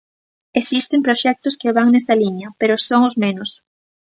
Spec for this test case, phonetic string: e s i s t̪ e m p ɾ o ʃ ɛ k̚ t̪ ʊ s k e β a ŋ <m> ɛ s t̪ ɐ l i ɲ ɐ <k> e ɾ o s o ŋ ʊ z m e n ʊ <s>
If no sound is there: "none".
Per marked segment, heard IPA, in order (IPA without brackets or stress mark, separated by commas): n, p, s